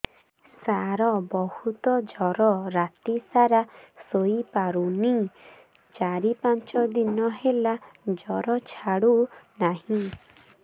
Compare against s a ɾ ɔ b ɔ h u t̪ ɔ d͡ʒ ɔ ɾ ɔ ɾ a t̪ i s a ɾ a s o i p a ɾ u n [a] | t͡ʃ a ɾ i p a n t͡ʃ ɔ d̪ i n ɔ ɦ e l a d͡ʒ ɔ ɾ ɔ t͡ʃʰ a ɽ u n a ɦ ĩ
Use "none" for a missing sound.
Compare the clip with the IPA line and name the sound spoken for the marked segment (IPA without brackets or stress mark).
i